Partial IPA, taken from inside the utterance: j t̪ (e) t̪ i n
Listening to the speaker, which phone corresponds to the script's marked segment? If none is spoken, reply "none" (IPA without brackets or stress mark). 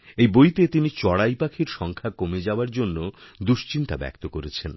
e